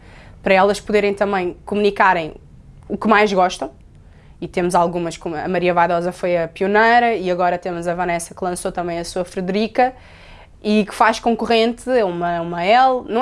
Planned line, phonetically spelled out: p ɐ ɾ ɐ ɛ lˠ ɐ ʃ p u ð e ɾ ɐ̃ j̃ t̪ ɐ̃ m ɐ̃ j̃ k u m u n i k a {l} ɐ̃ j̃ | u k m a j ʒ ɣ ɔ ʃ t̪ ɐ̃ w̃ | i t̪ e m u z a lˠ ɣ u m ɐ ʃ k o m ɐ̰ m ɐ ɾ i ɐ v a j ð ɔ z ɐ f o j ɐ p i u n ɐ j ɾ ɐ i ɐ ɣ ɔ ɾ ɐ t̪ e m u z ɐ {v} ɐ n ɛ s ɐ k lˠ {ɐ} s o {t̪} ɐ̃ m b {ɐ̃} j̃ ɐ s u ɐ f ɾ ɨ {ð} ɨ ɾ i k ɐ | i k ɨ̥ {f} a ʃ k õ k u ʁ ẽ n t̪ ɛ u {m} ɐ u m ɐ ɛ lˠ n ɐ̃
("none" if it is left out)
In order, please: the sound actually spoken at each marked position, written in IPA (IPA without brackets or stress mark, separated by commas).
ɾ, v, ɐ̃, t̪, ɐ̃, ð, f, m